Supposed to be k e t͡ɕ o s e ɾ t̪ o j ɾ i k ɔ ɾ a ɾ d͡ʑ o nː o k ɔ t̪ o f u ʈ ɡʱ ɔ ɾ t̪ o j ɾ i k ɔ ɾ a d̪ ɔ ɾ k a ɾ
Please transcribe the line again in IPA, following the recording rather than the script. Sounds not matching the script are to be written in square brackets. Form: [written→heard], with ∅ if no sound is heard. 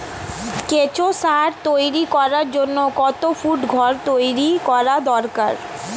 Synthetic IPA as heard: k e t͡ɕ o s [e→a] ɾ t̪ o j ɾ i k ɔ ɾ a ɾ d͡ʑ o nː o k ɔ t̪ o f u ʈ ɡʱ ɔ ɾ t̪ o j ɾ i k ɔ ɾ a d̪ ɔ ɾ k a ɾ